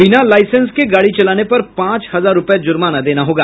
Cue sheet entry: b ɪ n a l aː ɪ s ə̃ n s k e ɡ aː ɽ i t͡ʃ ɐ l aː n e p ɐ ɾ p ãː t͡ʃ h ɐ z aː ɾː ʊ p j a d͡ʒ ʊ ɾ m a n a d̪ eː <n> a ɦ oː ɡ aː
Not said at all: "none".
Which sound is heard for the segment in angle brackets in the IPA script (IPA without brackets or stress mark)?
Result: n